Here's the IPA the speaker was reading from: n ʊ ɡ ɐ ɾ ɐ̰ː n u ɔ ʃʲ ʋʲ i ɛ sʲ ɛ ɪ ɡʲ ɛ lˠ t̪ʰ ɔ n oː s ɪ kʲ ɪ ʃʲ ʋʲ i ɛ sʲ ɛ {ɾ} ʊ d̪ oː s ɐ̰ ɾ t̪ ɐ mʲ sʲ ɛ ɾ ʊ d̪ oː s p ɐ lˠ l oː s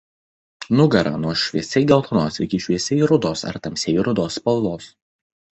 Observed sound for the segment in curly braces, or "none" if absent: ɾ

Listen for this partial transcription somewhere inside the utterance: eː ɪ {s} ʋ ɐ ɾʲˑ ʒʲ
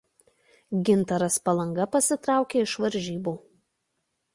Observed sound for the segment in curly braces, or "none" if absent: ʃ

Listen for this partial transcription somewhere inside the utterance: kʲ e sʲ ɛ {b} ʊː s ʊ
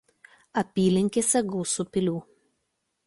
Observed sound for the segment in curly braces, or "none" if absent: ɡ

